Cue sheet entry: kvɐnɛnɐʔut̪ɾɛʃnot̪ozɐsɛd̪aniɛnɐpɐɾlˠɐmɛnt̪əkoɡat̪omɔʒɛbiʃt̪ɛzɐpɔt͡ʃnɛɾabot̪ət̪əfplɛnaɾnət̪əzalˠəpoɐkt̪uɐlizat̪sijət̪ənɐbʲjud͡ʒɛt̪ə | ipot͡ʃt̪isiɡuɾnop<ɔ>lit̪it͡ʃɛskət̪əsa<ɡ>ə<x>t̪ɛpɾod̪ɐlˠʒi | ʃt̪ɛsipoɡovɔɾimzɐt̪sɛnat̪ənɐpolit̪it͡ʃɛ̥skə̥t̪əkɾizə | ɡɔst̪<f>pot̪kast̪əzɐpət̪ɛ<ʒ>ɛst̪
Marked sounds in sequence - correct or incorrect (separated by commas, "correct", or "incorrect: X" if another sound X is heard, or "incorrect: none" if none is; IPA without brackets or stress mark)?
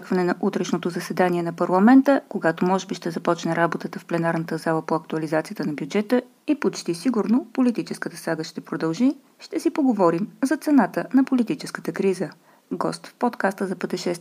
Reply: incorrect: o, correct, incorrect: ʃ, correct, incorrect: ʃ